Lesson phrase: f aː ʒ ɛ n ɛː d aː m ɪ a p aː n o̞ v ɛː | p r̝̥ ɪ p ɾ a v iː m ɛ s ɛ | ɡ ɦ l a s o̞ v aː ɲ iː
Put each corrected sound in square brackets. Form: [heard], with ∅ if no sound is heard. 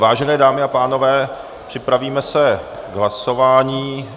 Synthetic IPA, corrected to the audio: [v] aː ʒ ɛ n ɛː d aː m ɪ a p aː n o̞ v ɛː | p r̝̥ ɪ p ɾ a v iː m ɛ s ɛ | ɡ ɦ l a s o̞ v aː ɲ iː